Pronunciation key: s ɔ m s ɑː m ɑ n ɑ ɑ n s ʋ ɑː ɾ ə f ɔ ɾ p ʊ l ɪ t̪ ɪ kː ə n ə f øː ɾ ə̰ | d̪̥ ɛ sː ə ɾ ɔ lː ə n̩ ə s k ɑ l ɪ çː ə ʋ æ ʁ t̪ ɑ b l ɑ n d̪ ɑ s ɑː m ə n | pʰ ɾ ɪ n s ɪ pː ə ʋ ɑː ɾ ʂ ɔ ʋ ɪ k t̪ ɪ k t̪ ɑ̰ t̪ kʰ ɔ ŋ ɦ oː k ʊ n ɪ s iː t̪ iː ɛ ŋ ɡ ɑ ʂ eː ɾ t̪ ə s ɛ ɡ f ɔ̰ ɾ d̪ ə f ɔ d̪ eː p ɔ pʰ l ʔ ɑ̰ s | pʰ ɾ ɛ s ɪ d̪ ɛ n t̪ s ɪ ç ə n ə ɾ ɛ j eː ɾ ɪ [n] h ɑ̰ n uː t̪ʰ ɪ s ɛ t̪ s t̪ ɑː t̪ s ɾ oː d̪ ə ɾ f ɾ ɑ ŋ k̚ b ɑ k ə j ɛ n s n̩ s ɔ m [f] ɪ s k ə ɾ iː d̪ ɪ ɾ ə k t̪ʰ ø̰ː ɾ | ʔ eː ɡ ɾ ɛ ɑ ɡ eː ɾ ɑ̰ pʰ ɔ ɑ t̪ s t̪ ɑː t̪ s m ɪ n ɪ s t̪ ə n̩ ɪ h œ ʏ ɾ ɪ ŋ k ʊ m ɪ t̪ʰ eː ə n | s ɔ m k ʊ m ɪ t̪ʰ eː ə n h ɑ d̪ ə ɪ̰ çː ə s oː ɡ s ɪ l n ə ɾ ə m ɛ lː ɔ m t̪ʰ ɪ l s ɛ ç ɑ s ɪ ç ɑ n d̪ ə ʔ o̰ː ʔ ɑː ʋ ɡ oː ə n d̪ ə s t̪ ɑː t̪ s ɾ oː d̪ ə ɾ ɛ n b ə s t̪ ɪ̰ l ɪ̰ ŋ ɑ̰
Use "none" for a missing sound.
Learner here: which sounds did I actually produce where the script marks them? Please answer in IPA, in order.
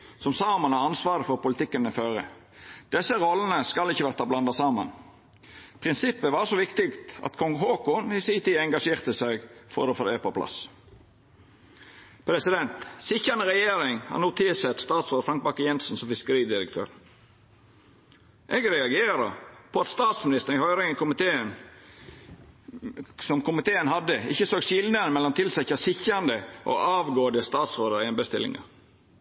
ŋ, f

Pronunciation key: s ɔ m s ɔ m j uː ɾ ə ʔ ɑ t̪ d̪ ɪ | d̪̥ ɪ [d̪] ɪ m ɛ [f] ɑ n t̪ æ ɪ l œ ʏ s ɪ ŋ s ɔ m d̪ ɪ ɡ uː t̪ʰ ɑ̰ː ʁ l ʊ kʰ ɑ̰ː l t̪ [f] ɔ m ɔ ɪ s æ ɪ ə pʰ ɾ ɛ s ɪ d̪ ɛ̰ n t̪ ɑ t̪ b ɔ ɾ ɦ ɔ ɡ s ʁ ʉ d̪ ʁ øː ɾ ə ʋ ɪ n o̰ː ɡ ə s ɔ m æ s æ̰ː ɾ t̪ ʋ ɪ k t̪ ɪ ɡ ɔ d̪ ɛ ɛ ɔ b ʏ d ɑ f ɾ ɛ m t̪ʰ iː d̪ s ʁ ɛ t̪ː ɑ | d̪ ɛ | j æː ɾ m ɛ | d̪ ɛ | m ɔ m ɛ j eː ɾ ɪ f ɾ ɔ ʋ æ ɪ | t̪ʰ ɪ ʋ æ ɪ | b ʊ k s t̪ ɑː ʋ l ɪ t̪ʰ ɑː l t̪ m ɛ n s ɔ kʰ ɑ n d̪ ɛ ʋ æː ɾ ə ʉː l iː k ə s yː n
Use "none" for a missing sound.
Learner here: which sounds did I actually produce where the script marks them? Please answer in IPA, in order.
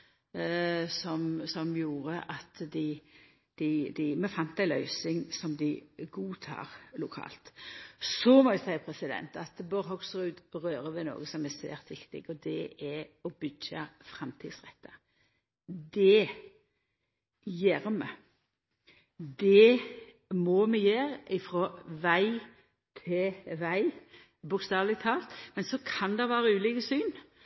d̪, f, s

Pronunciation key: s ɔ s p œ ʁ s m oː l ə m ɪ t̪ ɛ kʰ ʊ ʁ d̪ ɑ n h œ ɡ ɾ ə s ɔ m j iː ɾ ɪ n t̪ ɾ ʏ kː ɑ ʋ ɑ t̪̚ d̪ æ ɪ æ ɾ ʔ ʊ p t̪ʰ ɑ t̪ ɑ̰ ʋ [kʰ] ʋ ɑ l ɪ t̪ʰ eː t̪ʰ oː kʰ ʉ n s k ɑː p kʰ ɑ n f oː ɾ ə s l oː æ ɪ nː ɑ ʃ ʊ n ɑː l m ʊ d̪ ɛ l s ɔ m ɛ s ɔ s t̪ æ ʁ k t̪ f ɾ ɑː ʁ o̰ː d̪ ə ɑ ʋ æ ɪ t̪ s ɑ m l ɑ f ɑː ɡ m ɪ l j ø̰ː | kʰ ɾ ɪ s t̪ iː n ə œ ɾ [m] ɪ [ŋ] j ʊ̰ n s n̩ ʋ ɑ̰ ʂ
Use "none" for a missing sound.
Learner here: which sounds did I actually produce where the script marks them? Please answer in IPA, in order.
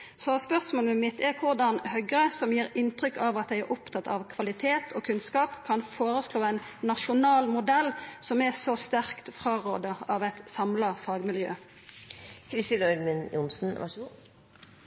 kʰ, m, n

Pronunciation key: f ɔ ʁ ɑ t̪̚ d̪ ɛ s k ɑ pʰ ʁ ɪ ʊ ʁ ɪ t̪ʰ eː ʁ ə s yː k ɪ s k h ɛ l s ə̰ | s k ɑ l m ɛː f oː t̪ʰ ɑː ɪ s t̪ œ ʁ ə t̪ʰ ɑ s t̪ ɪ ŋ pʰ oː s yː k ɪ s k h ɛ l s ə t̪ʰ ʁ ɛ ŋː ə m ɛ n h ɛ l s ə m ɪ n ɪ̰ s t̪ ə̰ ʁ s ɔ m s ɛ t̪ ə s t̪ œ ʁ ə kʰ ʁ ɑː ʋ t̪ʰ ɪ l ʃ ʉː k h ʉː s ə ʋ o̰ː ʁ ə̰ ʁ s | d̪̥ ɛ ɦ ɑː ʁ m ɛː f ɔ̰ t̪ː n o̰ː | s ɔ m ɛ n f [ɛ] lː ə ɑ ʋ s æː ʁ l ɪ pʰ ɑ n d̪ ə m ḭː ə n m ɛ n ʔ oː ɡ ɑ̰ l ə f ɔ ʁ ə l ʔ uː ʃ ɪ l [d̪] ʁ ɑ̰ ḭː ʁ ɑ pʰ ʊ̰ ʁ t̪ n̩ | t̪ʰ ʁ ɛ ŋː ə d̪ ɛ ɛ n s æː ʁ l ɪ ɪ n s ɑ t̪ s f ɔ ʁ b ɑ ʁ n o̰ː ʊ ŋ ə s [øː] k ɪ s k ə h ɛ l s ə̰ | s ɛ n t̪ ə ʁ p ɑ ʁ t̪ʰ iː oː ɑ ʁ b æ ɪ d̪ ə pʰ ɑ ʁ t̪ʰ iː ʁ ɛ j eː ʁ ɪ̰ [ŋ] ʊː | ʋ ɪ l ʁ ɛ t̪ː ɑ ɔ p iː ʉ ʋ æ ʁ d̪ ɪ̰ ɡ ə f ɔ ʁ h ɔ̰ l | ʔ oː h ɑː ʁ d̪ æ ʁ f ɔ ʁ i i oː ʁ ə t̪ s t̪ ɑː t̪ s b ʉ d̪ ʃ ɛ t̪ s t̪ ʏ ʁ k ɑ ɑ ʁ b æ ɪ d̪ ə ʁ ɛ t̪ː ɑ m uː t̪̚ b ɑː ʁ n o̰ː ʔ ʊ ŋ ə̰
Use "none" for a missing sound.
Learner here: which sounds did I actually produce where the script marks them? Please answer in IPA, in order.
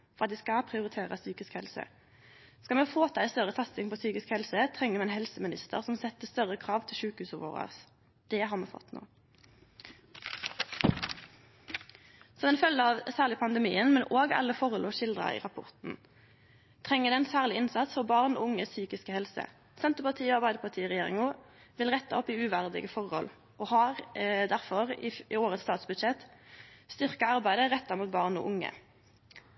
œ, d̪, yː, ŋ

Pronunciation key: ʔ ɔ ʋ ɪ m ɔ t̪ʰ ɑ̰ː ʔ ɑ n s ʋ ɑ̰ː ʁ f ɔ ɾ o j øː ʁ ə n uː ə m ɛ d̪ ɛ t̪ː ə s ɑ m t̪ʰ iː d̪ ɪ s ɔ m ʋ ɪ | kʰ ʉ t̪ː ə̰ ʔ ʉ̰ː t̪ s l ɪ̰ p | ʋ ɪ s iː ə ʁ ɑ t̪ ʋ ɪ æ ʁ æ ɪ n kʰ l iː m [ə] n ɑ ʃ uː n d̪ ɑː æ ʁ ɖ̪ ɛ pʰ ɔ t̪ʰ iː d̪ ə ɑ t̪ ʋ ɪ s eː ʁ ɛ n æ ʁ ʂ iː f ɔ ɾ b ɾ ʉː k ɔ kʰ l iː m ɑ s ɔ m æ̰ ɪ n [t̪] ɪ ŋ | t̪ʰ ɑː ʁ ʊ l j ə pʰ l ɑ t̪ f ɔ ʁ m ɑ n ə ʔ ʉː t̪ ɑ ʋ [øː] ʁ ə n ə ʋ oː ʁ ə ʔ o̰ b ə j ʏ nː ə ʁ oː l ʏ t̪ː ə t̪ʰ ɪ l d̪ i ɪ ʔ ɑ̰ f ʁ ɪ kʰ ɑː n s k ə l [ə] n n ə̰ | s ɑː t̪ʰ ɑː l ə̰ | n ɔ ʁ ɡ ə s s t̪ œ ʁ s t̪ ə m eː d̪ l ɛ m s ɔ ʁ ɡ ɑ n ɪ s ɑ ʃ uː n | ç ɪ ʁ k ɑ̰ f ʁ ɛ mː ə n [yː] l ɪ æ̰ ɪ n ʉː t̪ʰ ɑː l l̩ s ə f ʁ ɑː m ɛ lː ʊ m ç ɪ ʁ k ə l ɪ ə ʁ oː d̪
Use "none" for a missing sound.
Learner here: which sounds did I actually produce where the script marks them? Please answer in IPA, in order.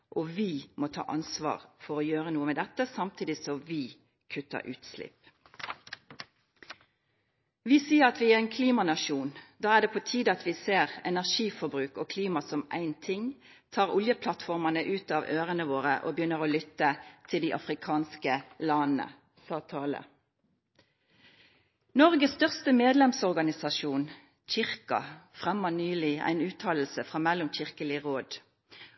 ɑ, t̪ʰ, øː, ɑ, yː

